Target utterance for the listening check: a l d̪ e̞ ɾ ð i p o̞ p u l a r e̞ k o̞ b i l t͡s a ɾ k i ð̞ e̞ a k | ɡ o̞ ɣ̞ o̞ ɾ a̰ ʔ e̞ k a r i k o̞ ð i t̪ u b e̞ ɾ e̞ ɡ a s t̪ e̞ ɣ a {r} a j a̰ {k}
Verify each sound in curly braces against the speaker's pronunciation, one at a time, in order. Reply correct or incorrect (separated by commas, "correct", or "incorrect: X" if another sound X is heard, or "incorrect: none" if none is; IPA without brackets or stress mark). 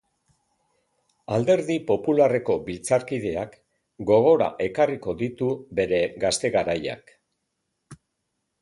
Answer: incorrect: ɾ, correct